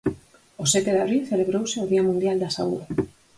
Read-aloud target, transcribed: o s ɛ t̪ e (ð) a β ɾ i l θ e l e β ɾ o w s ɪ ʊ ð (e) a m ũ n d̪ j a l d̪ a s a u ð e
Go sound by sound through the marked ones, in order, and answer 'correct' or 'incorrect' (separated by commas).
correct, incorrect